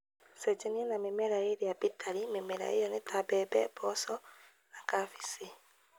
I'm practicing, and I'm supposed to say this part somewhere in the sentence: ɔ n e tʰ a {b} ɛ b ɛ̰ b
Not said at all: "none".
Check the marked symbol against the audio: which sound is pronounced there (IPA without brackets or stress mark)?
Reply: b